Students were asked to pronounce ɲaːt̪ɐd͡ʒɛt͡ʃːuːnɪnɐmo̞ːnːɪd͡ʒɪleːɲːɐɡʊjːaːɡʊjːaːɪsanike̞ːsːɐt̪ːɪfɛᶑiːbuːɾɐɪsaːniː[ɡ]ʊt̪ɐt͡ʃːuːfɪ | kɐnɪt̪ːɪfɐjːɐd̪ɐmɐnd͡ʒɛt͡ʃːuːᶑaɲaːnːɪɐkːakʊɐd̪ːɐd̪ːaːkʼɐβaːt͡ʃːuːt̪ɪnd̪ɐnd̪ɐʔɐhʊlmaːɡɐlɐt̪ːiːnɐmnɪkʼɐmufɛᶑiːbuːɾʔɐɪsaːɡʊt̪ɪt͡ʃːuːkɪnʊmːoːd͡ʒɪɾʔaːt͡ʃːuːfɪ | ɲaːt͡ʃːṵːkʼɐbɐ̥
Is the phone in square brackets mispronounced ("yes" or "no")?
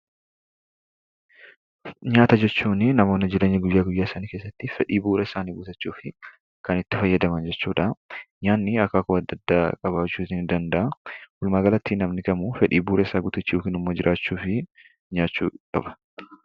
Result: no